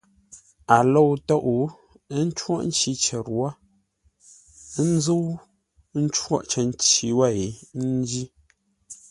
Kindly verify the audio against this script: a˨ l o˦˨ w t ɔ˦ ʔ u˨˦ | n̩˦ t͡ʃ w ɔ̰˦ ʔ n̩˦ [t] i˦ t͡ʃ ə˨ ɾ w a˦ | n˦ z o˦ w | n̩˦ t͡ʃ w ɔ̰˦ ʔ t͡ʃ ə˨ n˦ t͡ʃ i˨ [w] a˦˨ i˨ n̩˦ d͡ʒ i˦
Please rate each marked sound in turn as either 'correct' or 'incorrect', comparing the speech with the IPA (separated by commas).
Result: incorrect, correct